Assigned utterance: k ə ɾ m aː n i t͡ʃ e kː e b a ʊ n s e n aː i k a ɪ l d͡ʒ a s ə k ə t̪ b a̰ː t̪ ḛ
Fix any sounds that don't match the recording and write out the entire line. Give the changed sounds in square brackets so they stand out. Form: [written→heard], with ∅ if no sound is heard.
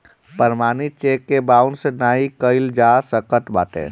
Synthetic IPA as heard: [k→p] ə ɾ m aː n i t͡ʃ e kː e b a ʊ n s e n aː i k [a→ə] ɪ l d͡ʒ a s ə k ə t̪ b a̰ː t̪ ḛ